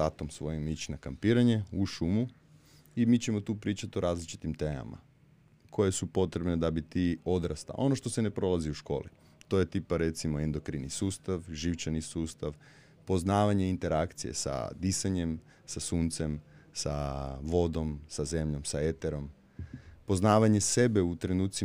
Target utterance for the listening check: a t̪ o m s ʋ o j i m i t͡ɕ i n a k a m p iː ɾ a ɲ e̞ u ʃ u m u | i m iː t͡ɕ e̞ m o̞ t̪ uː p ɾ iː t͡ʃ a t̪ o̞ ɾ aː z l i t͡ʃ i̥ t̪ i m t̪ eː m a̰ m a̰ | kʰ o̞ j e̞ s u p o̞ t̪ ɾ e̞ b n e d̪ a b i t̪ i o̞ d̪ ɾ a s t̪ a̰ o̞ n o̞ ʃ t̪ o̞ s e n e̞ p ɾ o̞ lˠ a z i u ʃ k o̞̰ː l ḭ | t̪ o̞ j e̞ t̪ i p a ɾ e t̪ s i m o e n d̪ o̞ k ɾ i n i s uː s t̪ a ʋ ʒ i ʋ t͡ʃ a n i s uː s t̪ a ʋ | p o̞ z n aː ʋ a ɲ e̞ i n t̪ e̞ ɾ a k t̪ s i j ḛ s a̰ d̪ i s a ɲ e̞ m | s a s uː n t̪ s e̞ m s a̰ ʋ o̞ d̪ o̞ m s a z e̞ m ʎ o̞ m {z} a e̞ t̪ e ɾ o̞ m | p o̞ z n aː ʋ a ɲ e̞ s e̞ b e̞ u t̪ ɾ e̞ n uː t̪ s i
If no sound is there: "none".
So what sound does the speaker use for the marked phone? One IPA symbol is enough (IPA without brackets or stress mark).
s